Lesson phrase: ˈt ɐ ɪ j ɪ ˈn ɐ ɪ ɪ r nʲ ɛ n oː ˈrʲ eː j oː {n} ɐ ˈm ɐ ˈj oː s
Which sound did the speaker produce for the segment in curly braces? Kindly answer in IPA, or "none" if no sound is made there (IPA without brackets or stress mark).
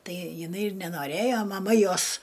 m